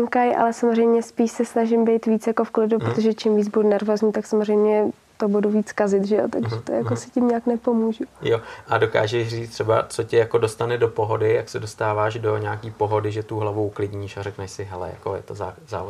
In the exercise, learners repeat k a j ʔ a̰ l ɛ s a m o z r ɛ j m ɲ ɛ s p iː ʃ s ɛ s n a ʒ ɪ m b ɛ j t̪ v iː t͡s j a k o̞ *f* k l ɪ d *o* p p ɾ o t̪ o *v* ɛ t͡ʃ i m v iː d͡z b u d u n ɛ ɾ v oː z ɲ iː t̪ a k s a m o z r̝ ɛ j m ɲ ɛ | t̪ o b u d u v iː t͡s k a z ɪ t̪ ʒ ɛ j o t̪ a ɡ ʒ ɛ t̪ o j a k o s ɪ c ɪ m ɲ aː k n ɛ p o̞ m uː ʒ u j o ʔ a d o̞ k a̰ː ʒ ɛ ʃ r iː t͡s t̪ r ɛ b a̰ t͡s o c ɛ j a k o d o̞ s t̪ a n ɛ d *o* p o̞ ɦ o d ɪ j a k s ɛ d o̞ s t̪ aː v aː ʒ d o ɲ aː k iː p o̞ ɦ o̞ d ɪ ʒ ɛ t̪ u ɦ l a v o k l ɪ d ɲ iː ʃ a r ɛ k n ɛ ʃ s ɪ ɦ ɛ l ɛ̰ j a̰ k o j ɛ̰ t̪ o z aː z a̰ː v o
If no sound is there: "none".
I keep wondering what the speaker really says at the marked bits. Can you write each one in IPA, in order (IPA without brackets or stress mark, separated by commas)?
f, u, ʒ, o